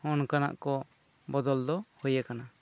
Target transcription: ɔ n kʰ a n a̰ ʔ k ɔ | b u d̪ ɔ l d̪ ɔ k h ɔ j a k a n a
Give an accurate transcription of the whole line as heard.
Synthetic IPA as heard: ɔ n k a n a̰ ʔ k ɔ | b ɔ d̪ ɔ l d̪ ɔ h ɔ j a k a n a

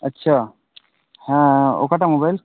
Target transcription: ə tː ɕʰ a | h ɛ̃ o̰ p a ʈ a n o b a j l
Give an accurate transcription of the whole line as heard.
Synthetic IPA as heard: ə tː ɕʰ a | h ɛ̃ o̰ k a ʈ a m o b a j l

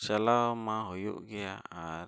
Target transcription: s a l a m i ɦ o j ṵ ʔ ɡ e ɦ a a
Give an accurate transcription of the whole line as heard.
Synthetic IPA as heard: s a l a m a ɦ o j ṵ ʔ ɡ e a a

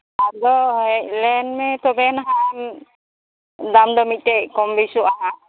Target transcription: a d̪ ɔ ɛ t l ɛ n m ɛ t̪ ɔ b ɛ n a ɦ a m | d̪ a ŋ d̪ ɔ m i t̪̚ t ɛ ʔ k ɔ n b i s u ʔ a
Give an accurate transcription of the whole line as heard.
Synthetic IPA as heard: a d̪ ɔ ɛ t l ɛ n m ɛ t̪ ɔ b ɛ n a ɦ a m | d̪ a m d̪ ɔ m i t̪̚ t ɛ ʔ k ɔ m b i s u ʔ a

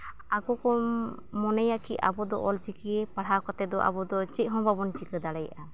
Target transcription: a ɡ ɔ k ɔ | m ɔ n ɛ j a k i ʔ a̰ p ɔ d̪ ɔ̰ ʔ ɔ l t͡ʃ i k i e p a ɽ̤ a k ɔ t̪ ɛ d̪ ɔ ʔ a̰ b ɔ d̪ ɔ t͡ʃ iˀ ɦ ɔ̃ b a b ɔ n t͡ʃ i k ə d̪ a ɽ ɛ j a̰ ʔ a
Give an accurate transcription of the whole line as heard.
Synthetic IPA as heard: a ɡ ɔ k ɔ | m ɔ n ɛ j a k i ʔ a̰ b ɔ d̪ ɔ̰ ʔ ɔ l t͡ʃ i k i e p a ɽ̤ a k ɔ t̪ ɛ d̪ ɔ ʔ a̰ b ɔ d̪ ɔ t͡ʃ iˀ ɦ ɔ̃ b a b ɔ n t͡ʃ i k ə d̪ a ɽ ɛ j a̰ ʔ a

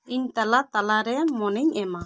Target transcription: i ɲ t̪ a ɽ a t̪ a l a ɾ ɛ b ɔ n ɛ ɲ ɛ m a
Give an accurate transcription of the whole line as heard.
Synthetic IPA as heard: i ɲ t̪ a l a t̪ a l a ɾ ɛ m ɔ n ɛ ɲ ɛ m a

